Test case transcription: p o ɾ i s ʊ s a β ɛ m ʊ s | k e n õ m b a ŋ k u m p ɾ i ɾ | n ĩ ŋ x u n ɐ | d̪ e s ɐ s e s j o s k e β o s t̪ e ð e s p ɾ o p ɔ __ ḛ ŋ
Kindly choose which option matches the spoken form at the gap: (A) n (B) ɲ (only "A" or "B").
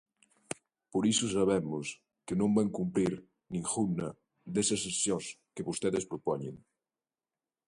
B